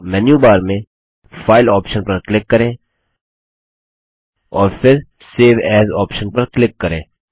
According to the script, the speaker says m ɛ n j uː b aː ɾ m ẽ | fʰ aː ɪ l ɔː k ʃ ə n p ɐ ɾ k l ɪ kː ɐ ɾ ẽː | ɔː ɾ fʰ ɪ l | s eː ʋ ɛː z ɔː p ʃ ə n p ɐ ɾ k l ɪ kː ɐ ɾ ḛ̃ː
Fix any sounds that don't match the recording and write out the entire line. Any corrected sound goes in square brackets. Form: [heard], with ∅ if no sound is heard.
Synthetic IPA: m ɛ n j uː b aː ɾ m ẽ | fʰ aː ɪ l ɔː [p] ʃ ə n p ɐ ɾ k l ɪ kː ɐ ɾ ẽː | ɔː ɾ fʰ ɪ [ɾ] | s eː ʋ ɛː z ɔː p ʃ ə n p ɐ ɾ k l ɪ kː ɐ ɾ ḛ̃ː

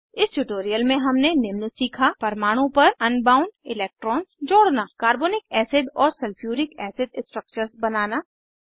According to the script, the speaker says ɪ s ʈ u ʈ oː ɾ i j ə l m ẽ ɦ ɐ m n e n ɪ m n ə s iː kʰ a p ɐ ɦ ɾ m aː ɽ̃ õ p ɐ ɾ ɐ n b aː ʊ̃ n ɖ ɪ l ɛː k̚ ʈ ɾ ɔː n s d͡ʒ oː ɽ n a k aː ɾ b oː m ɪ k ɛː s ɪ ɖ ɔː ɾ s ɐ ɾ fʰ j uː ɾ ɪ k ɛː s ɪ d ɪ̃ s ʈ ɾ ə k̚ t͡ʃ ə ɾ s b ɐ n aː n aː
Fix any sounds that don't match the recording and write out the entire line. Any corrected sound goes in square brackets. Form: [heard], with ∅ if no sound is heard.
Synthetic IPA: ɪ s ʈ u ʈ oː ɾ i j ə l m ẽ ɦ ɐ m n e n ɪ m n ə s iː kʰ a p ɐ [∅] ɾ m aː ɽ̃ õ p ɐ ɾ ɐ n b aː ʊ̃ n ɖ ɪ l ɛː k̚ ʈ ɾ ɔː n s d͡ʒ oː ɽ n a k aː ɾ b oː [n] ɪ k ɛː s ɪ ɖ ɔː ɾ s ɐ [l] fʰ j uː ɾ ɪ k ɛː s ɪ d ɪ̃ s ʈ ɾ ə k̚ t͡ʃ ə ɾ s b ɐ n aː n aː

